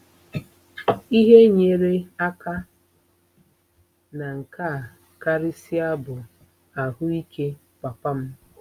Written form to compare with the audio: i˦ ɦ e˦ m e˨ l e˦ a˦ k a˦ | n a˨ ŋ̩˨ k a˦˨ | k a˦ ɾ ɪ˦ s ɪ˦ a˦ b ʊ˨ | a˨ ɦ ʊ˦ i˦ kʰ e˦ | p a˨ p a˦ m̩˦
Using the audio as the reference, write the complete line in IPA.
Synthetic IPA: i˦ ɦ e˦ ɲ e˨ ɾ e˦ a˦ k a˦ | n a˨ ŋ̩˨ k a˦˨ | k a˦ ɾ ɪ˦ s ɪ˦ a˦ b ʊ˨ | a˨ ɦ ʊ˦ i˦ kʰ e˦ | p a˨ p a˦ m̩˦